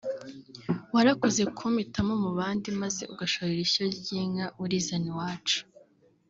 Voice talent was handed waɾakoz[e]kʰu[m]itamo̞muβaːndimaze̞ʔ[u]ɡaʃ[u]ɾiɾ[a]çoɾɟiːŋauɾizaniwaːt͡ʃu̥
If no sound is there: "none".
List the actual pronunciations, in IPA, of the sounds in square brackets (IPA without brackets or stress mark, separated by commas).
e, m, u, o, i